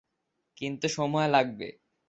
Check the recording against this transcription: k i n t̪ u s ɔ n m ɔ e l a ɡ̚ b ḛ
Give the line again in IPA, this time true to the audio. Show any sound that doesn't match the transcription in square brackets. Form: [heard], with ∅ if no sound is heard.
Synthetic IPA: k i n t̪ u [ʃ] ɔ [∅] m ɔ e l a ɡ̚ b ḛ